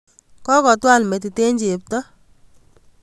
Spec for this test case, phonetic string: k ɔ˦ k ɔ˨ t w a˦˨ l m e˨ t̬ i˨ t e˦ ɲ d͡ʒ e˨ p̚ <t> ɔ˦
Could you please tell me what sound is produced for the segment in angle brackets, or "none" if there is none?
t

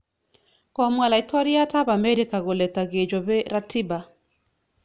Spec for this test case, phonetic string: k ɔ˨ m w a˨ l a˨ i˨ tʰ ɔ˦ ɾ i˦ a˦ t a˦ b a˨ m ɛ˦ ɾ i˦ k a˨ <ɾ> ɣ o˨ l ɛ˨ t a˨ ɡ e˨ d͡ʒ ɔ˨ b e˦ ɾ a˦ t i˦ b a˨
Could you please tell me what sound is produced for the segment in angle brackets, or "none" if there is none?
none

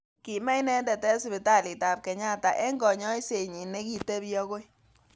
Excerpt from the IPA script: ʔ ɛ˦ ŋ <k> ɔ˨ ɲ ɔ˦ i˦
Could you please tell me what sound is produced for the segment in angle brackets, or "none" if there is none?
ɡ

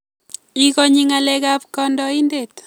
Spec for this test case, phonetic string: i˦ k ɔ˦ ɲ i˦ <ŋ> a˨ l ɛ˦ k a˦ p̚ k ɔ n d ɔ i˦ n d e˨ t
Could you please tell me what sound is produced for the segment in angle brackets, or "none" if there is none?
ŋ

